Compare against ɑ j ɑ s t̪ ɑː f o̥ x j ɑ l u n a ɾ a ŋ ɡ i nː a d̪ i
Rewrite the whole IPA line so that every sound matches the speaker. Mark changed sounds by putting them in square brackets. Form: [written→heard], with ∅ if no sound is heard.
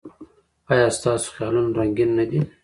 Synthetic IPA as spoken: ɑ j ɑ s t̪ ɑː [f→s] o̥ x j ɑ l u n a ɾ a ŋ ɡ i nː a d̪ i